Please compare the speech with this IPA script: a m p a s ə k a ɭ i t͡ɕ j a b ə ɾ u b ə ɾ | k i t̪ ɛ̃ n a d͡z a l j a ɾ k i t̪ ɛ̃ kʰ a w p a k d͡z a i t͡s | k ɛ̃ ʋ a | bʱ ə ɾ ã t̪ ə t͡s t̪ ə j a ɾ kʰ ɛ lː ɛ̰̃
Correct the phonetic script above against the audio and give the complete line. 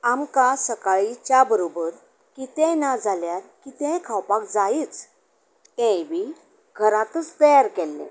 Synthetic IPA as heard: a m k a s ə k a ɭ i t͡ɕ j a b ə ɾ o b ə ɾ | k i t̪ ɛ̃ n a d͡z a l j a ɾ k i t̪ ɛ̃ kʰ a w p a k d͡z a i t͡s | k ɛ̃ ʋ i | ɡʱ ə ɾ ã t̪ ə t͡s t̪ ə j a ɾ k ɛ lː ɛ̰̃